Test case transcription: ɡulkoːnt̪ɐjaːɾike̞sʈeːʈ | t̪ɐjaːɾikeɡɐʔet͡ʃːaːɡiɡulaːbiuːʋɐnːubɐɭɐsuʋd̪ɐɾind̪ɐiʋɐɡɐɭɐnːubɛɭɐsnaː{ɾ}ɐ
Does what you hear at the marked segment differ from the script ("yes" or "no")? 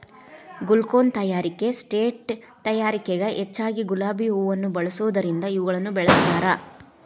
no